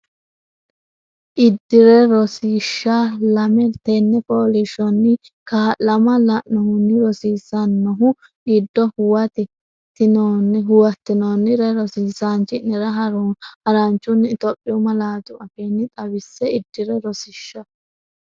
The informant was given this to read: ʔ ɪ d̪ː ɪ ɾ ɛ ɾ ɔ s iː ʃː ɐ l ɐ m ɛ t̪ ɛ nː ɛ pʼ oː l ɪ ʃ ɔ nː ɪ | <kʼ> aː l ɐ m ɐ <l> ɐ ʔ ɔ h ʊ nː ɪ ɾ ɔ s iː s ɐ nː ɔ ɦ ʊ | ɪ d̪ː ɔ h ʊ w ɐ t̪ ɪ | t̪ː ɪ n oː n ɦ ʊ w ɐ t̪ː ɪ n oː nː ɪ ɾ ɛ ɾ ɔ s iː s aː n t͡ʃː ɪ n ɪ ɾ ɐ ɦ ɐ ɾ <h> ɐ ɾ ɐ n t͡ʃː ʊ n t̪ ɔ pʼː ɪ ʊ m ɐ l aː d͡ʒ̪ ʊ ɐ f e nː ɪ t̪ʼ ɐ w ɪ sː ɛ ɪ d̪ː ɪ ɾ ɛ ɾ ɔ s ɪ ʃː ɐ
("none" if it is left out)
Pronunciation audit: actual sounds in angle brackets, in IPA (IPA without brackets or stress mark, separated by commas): k, l, h